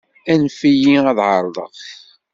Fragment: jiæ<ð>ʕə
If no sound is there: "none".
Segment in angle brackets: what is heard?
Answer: ð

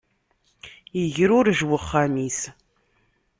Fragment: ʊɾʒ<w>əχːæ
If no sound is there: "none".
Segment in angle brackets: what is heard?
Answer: w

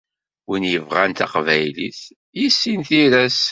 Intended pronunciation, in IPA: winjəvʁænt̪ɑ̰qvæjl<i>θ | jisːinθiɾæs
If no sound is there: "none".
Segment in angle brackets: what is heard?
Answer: i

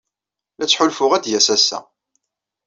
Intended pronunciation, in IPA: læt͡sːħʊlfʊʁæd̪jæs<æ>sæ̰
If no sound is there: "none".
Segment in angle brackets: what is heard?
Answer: æ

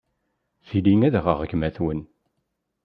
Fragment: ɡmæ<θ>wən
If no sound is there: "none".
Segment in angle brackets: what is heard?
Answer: θ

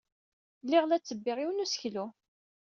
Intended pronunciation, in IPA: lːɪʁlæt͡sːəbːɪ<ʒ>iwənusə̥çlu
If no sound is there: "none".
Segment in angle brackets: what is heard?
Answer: ʁ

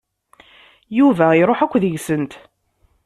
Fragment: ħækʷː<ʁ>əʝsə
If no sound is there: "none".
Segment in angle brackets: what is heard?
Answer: ð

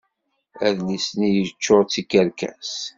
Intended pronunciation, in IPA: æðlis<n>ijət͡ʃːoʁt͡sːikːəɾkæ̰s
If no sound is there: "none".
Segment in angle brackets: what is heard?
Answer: n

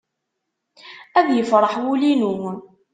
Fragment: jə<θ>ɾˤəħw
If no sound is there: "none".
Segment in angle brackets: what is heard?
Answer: f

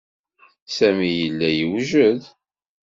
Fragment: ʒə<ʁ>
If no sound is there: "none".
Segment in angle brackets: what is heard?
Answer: ð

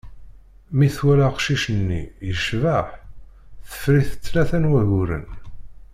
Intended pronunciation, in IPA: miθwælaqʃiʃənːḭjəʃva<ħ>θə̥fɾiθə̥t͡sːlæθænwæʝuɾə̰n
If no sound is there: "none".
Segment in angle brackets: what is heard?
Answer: ħ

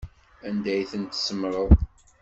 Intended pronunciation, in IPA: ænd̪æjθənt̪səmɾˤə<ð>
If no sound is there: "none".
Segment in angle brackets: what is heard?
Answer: ð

